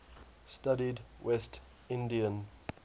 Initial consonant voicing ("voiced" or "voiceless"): voiceless